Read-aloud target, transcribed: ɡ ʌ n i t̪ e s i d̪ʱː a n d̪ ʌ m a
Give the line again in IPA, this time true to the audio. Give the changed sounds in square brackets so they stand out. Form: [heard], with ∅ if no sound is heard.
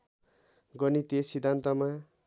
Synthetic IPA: ɡ ʌ n i t̪ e s i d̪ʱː a n [t̪] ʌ m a